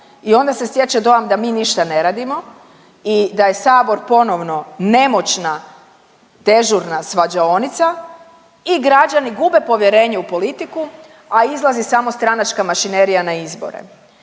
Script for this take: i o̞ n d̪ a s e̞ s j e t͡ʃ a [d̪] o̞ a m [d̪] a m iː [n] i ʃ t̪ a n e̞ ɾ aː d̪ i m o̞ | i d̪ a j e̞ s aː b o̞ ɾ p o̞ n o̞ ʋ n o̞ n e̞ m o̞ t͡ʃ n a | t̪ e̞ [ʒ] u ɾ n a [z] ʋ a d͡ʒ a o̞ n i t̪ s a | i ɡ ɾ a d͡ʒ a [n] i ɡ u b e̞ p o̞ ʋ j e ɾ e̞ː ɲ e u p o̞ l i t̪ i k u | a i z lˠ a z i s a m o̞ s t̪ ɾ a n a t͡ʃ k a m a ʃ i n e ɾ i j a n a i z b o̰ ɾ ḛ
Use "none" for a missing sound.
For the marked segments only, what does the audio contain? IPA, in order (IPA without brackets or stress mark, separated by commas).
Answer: d̪, d̪, n, ʒ, s, n